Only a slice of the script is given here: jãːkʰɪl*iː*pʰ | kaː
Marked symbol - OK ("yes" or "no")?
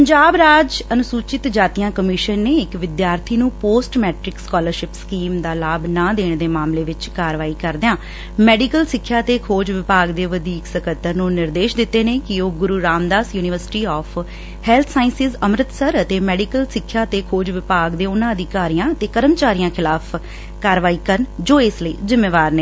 no